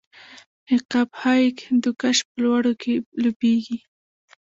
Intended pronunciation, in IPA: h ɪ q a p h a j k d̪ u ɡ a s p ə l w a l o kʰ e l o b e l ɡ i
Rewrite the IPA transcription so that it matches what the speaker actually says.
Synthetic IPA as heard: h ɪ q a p h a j k d̪ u k a ʃ p ə l w a ɽ o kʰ e l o b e ɡ i